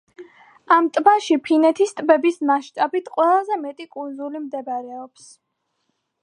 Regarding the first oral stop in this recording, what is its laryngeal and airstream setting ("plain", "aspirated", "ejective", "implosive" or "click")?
ejective